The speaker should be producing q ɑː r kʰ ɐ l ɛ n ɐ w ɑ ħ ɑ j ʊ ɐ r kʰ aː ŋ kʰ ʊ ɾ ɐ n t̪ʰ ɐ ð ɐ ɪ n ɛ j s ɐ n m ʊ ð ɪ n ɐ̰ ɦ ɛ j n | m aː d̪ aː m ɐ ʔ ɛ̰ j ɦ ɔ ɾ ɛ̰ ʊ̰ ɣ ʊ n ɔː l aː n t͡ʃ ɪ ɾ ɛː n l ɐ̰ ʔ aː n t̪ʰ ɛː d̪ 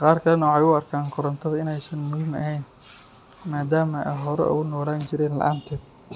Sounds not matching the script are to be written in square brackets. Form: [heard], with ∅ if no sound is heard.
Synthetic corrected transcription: q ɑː r kʰ ɐ l ɛ n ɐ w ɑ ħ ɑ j ʊ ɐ r kʰ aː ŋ kʰ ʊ ɾ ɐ n t̪ʰ ɐ ð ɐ ɪ n ɛ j s ɐ n m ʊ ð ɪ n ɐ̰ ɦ ɛ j n | m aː d̪ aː m ɐ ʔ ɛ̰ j ɦ ɔ ɾ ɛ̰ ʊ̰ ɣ ʊ n ɔː l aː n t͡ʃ ɪ ɾ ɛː n l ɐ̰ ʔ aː n t̪ʰ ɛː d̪